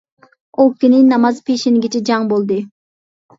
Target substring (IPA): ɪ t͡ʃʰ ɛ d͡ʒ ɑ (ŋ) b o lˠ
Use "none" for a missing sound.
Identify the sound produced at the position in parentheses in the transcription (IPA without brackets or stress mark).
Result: ŋ